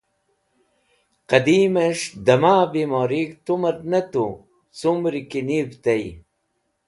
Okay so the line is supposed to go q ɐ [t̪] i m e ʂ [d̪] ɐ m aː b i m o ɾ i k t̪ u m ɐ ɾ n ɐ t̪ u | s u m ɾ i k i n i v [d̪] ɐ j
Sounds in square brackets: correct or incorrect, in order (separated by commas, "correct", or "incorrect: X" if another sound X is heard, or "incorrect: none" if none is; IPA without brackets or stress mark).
incorrect: d̪, correct, incorrect: t̪